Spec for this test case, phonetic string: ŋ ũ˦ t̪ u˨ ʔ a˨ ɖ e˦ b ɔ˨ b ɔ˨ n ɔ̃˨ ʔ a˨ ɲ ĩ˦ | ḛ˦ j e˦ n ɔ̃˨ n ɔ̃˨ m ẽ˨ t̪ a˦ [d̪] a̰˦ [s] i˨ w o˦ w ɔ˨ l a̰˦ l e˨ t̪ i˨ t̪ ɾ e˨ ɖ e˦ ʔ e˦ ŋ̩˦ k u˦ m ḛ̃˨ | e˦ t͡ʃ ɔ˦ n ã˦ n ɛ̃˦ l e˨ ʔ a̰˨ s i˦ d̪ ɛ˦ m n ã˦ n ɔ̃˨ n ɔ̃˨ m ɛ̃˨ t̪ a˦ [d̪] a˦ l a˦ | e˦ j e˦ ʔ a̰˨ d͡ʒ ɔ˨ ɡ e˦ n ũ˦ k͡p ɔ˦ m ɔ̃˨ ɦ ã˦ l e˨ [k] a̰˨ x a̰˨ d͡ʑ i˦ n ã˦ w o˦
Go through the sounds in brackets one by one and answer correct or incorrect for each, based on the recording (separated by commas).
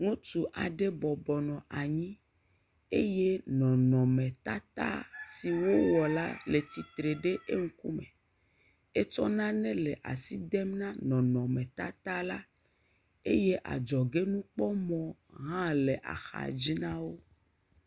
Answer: incorrect, correct, incorrect, incorrect